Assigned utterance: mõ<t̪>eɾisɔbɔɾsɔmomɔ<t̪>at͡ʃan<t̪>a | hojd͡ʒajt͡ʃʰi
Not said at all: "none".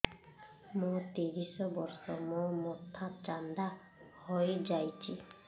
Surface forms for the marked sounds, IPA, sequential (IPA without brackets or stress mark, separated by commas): t̪, t̪ʰ, d̪